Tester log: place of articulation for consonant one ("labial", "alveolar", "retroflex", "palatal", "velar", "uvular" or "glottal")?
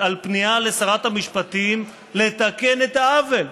alveolar